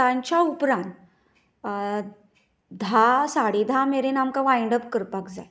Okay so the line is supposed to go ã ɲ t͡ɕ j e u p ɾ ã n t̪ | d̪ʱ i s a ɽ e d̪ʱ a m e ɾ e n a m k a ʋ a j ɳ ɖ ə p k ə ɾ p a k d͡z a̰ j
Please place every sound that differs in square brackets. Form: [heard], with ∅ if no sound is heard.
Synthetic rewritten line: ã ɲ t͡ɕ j [a] u p ɾ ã n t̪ | d̪ʱ [a] s a ɽ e d̪ʱ a m e ɾ e n a m k a ʋ a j ɳ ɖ ə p k ə ɾ p a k d͡z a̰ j